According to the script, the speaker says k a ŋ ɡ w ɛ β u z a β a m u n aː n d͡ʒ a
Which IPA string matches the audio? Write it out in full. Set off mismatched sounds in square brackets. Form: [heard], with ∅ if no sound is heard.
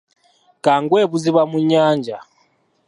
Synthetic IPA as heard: k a ŋ ɡ w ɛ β u z [i] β a m u [ɲ] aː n d͡ʒ a